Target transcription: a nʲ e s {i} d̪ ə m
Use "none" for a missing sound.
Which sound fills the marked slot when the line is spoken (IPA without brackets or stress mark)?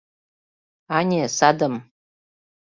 a